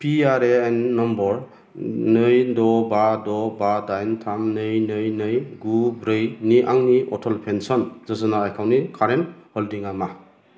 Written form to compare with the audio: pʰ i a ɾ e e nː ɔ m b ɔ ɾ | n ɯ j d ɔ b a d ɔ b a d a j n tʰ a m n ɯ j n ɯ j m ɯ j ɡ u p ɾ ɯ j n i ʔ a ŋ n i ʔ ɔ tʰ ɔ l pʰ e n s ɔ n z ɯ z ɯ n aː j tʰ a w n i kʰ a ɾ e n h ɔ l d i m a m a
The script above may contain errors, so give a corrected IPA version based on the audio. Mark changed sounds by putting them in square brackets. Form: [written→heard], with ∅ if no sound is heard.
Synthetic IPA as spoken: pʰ i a ɾ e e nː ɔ m b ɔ ɾ | n ɯ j d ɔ b a d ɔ b a d a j n tʰ a m n ɯ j n ɯ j [m→n] ɯ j ɡ u [p→b] ɾ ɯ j n i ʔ a ŋ n i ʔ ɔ tʰ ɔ l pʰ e n s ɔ n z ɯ z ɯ n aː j [tʰ→kʰ] a w n i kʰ a ɾ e n h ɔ l d i [m→ŋ] a m a